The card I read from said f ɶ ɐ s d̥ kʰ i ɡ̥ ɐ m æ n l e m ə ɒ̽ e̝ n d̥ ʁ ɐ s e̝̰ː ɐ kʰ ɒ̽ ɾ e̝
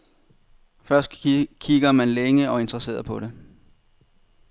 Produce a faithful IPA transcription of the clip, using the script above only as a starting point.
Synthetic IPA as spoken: f ɶ ɐ s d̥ kʰ i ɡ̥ ɐ m æ n l e ŋ ə ɒ̽ e̝ n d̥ ʁ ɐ s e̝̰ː ɐ pʰ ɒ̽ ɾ e̝